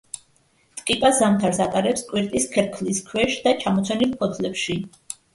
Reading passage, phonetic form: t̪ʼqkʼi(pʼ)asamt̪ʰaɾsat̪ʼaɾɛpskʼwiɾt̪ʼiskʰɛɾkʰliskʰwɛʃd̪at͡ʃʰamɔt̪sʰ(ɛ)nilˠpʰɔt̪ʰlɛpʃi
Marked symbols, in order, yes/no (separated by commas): yes, yes